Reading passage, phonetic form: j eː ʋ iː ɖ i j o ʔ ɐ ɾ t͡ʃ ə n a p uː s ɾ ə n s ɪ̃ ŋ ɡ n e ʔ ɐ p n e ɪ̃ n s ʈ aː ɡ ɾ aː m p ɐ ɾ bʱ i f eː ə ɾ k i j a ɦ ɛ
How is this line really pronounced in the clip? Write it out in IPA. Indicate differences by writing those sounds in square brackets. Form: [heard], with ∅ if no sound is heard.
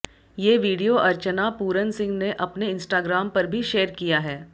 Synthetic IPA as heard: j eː ʋ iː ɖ i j o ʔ ɐ ɾ t͡ʃ ə n a p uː [∅] ɾ ə n s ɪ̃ ŋ ɡ n e ʔ ɐ p n e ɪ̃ n s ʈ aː ɡ ɾ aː m p ɐ ɾ bʱ i [ʃ] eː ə ɾ k i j a ɦ [ɛː]